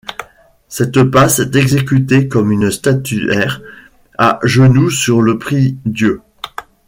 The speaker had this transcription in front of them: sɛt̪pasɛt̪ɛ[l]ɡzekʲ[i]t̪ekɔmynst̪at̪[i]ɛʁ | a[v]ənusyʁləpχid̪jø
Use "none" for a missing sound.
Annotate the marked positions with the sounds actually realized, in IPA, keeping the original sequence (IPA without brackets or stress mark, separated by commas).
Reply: none, y, y, ʒ